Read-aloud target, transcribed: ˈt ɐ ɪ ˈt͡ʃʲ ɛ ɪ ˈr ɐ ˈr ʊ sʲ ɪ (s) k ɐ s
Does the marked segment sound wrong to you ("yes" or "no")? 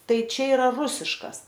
yes